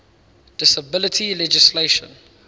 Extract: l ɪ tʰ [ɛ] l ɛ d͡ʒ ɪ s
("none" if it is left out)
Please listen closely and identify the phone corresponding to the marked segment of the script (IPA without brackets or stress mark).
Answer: i